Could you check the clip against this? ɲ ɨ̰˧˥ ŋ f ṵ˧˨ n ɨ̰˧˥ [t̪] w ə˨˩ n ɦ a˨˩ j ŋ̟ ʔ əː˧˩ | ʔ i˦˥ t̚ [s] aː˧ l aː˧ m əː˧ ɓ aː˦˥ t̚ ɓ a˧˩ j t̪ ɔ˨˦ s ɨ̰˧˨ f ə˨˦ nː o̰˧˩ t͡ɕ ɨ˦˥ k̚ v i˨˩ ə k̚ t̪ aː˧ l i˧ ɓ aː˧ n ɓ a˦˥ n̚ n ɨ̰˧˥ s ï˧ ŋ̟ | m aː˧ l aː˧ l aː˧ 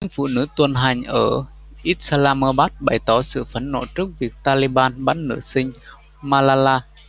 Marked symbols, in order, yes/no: yes, yes

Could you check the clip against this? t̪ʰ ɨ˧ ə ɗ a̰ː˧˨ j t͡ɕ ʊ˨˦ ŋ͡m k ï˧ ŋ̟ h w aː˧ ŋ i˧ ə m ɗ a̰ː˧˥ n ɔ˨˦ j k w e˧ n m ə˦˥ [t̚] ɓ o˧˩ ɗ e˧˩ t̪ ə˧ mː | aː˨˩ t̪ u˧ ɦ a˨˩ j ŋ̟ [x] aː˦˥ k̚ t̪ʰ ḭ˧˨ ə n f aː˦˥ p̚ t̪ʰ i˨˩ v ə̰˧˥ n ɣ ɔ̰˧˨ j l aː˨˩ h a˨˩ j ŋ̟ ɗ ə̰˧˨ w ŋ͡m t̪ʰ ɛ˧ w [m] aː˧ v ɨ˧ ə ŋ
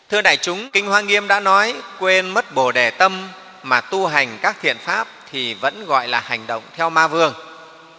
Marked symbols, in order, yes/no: yes, no, yes

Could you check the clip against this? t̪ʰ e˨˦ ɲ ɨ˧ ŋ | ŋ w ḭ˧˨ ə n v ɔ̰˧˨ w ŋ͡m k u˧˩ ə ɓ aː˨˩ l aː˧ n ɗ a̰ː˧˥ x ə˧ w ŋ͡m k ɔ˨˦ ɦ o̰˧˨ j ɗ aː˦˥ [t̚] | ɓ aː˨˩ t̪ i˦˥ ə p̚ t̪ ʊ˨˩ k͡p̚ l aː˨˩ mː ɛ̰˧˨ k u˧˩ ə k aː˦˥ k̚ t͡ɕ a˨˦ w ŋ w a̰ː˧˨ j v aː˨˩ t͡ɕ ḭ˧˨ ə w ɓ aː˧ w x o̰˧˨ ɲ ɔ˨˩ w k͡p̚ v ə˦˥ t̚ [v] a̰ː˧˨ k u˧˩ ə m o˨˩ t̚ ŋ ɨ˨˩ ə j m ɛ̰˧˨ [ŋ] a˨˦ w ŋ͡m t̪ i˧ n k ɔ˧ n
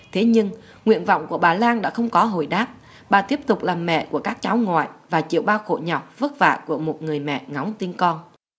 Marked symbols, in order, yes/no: no, yes, yes

